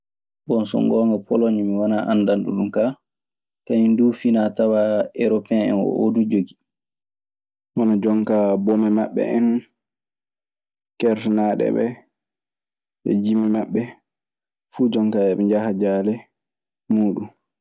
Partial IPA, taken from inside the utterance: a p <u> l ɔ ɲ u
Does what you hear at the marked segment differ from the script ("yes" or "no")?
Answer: yes